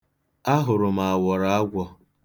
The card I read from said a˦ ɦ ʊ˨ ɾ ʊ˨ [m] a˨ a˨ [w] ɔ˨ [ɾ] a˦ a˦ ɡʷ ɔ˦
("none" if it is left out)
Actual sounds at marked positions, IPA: m, w, ɾ

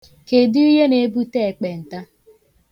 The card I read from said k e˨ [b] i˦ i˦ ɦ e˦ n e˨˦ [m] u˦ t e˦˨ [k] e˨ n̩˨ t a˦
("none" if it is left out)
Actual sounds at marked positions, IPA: d, b, k͡p

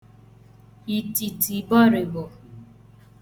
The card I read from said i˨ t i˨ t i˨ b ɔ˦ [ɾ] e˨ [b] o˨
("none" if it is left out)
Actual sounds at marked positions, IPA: ɾ, b

